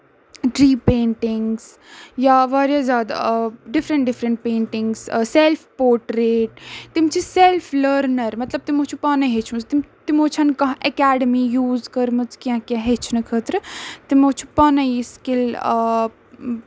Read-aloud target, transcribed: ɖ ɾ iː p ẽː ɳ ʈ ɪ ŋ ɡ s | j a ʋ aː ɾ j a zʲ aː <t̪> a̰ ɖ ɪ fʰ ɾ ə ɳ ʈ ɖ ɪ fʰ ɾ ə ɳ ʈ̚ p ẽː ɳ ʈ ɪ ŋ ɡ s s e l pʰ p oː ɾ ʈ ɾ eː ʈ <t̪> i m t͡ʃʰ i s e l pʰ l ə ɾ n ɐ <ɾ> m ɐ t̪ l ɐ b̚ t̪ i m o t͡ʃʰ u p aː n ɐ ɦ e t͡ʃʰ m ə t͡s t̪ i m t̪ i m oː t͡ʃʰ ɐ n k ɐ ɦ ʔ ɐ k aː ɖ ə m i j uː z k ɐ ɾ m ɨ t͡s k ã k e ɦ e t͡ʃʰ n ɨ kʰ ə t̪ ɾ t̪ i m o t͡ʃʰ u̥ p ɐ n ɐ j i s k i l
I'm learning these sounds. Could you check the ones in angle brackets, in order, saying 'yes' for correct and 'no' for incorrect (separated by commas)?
no, yes, yes